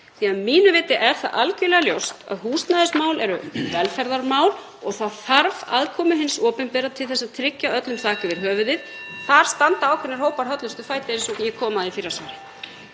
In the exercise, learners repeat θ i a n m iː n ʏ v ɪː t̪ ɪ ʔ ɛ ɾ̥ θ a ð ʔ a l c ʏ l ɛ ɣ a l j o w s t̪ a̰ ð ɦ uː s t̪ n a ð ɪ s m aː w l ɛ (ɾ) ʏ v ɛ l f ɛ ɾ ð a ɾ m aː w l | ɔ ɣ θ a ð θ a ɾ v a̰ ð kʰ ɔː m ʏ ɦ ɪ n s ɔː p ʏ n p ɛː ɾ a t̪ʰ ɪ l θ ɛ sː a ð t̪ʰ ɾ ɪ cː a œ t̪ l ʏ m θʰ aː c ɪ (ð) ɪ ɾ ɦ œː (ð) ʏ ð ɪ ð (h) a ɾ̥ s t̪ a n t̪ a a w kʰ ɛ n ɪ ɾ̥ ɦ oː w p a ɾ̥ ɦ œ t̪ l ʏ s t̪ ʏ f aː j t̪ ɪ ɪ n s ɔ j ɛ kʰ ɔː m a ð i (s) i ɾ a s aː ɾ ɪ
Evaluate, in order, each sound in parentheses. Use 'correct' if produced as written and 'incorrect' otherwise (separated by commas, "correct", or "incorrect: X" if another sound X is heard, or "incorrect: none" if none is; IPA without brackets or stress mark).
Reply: correct, incorrect: v, incorrect: v, incorrect: θ, incorrect: f